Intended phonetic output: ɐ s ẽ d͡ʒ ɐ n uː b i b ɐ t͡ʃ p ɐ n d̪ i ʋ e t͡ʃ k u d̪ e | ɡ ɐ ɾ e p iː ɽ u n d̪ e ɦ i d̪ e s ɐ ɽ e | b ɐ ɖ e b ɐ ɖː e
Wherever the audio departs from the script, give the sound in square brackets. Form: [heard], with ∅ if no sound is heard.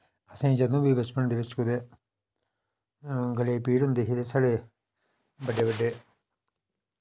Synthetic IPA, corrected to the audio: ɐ s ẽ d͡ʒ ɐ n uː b i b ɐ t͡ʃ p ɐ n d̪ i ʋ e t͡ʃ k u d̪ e | ɡ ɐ [l] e p iː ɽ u n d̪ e ɦ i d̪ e s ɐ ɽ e | b ɐ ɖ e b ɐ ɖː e